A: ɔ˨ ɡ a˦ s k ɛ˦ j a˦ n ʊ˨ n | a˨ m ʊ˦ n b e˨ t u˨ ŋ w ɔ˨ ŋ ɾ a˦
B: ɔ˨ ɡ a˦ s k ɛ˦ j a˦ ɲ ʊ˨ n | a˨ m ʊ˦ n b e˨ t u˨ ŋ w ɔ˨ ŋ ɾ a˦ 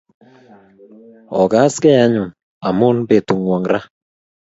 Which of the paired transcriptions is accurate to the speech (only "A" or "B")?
B